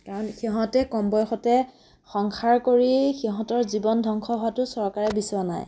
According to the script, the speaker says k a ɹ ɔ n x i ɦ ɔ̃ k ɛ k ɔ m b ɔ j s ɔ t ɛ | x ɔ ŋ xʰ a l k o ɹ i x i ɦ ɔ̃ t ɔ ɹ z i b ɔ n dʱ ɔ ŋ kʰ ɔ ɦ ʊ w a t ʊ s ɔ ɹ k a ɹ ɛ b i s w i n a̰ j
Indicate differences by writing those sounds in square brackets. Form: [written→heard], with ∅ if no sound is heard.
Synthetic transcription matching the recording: k a ɹ ɔ n x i ɦ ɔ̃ [k→t] ɛ k ɔ m b ɔ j [s→x] ɔ t ɛ | x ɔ ŋ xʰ a [l→ɹ] k o ɹ i x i ɦ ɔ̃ t ɔ ɹ z i b ɔ n dʱ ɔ ŋ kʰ ɔ ɦ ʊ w a t ʊ s ɔ ɹ k a ɹ ɛ b i s w [i→a] n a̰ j